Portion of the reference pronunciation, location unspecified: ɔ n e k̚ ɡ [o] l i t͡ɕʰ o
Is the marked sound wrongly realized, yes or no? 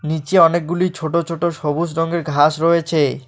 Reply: yes